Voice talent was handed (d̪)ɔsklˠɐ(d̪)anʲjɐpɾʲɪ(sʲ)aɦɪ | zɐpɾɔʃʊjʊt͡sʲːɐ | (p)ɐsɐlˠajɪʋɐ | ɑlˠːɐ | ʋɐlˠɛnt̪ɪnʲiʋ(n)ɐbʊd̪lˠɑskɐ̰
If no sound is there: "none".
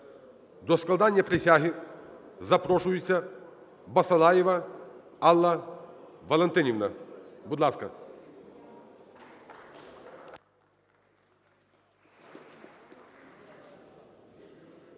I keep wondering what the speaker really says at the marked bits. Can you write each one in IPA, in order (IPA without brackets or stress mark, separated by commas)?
d̪, d̪, sʲ, b, n